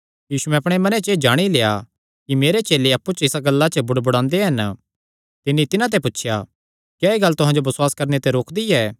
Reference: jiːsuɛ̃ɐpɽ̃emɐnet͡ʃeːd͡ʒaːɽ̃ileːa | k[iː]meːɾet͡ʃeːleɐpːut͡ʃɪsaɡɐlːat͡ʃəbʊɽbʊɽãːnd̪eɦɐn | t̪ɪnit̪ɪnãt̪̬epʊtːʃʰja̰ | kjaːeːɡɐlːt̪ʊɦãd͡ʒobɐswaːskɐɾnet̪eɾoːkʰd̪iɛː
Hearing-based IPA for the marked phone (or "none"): i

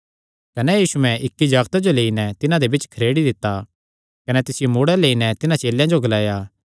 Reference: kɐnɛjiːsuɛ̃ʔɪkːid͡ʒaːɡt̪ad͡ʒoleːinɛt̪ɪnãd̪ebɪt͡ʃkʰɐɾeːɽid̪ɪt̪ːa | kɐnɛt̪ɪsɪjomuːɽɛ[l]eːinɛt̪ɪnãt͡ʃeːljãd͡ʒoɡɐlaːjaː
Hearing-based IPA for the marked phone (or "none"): l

